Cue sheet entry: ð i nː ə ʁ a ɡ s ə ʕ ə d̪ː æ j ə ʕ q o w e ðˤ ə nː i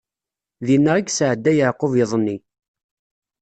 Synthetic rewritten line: ð i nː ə ʁ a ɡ s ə ʕ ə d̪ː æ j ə ʕ q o v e ðˤ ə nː i